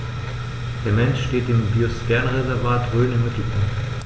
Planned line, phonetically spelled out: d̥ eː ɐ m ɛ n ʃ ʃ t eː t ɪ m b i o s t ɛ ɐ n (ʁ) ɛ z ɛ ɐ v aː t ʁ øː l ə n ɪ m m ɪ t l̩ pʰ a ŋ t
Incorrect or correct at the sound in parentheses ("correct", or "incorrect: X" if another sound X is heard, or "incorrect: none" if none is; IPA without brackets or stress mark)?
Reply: correct